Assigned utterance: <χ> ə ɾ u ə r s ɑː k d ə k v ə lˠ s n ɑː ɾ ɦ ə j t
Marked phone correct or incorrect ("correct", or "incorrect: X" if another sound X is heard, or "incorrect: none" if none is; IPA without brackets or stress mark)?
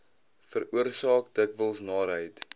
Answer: incorrect: f